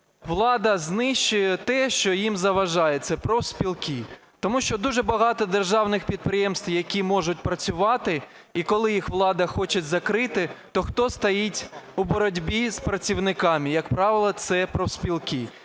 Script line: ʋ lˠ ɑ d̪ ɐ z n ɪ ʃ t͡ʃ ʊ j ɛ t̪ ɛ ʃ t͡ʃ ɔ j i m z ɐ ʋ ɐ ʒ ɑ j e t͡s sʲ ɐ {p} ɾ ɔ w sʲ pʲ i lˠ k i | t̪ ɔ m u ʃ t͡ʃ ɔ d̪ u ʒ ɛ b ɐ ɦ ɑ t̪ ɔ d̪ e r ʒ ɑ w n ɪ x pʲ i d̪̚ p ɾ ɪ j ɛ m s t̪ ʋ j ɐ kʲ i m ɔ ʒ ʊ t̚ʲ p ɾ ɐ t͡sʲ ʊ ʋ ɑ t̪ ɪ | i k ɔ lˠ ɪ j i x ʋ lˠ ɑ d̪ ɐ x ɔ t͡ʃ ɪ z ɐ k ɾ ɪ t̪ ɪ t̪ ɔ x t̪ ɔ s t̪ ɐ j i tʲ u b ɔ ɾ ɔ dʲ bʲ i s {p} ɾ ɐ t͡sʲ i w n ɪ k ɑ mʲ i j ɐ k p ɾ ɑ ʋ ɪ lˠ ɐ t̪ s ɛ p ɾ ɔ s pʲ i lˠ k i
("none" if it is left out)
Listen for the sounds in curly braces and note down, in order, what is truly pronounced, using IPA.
p, p

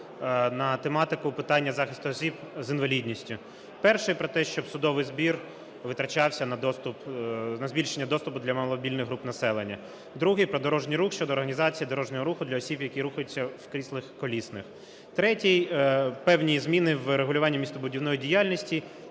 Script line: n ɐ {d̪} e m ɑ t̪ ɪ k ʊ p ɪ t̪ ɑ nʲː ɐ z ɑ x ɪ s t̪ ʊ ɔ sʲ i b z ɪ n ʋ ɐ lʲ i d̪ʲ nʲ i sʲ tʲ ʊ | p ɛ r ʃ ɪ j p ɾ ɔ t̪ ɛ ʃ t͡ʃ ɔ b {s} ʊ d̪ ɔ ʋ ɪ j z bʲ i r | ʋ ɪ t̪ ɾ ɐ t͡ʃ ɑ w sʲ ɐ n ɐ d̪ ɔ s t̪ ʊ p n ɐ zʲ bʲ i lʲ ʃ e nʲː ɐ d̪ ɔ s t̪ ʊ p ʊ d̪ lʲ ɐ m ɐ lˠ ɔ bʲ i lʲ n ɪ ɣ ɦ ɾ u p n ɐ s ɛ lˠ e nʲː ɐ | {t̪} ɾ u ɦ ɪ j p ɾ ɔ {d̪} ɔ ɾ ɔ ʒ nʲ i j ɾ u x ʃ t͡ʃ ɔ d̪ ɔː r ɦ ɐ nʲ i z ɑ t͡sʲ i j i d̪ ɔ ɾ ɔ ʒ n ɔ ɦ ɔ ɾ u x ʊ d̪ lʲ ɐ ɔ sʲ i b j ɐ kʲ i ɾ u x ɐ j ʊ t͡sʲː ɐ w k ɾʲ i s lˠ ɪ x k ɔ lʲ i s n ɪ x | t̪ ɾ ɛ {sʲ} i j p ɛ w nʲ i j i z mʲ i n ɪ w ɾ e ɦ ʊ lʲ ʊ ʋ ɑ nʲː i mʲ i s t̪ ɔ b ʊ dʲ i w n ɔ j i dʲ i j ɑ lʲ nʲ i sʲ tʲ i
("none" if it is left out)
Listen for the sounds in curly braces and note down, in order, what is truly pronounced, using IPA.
t̪, s, d̪, d̪, tʲ

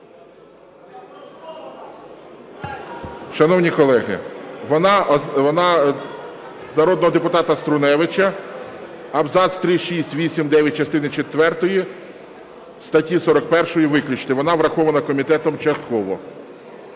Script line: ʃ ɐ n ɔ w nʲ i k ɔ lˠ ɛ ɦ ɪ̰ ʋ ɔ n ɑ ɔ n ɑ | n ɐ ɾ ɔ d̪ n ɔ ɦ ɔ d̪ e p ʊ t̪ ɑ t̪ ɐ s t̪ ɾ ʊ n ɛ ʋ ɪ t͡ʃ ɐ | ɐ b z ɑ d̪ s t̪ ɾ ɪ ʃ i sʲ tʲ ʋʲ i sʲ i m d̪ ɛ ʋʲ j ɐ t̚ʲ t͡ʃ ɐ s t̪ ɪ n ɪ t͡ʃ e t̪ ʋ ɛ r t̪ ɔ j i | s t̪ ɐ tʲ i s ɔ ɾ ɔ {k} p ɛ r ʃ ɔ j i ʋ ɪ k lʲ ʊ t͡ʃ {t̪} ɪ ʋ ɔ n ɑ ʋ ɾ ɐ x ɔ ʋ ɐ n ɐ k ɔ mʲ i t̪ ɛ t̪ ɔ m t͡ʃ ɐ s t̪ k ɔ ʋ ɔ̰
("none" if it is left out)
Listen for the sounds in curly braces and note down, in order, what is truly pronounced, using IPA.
k, t̪

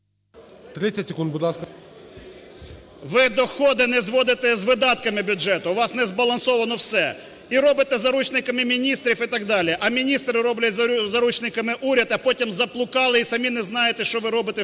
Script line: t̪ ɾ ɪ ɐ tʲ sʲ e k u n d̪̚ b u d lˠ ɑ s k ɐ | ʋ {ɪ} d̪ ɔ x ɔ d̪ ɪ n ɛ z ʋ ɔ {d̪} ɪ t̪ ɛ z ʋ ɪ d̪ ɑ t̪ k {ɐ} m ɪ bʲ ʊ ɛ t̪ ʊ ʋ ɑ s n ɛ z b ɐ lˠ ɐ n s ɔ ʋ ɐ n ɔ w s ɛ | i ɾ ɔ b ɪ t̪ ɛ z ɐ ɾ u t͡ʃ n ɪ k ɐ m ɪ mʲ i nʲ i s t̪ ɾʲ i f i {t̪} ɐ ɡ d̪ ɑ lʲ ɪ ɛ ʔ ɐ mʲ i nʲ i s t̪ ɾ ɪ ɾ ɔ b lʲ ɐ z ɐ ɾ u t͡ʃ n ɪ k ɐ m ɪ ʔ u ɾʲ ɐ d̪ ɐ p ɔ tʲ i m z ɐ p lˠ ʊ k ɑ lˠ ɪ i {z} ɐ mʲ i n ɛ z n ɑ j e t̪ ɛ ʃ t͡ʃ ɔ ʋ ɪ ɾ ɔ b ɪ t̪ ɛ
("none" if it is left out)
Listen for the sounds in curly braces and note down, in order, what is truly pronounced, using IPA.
ɪ, d̪, ɐ, t̪, s

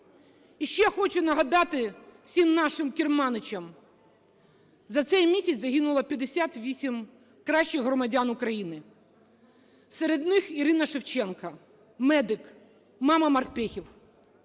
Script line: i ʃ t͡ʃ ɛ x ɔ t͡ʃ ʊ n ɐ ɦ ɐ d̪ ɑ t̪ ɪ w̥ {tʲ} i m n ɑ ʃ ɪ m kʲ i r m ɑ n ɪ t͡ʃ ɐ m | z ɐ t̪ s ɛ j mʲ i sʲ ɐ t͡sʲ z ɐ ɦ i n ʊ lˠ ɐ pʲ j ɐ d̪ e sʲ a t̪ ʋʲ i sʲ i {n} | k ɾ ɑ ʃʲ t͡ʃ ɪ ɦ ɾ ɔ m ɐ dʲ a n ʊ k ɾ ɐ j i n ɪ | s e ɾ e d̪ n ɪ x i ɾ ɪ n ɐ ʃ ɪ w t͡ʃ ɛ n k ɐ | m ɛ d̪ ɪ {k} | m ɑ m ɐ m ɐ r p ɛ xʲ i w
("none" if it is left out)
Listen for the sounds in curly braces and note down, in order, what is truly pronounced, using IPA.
sʲ, m, k

